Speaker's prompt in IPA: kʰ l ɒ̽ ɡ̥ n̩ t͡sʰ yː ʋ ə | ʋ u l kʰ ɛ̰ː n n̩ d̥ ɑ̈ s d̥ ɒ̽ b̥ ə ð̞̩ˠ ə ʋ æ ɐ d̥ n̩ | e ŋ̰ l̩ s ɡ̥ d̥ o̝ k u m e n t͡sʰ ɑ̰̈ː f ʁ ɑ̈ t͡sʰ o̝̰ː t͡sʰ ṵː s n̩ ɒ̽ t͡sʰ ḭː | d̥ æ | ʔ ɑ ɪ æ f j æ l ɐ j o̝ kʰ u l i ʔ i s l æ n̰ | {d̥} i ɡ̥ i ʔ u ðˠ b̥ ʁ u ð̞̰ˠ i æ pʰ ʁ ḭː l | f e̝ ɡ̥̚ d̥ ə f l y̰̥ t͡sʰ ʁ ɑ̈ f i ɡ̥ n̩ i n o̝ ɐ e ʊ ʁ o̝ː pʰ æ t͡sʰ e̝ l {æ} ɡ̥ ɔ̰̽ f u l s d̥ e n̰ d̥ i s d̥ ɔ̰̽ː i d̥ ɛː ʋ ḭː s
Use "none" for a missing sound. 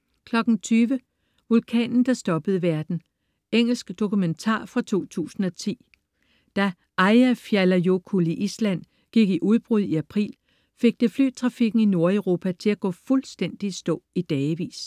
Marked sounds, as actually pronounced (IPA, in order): ɡ̥, æ

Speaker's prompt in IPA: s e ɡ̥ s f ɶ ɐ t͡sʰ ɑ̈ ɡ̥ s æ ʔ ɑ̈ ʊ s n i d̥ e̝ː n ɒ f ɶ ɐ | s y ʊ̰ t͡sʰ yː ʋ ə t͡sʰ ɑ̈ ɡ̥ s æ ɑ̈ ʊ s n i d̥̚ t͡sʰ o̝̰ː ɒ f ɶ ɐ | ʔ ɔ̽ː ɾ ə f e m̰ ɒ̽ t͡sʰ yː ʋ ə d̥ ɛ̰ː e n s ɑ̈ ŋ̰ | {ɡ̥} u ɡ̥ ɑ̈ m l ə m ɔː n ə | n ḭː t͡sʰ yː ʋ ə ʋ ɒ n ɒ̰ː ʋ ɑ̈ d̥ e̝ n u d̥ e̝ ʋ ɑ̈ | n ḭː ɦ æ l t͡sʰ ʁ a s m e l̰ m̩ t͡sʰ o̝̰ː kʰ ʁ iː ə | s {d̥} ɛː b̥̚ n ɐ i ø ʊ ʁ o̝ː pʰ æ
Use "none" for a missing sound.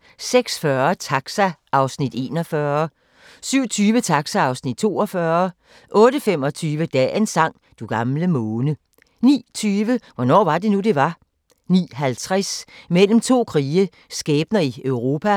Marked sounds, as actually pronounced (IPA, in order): d̥, ɡ̥

